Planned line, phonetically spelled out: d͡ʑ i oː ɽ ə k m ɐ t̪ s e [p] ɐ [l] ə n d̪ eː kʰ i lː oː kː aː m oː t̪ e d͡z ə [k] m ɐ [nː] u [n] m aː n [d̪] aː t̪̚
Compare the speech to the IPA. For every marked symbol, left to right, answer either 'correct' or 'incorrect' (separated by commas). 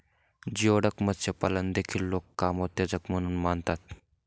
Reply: correct, correct, correct, incorrect, correct, incorrect